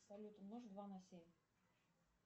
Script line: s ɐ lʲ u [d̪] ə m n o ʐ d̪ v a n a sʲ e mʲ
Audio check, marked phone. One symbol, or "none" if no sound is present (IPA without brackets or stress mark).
t̪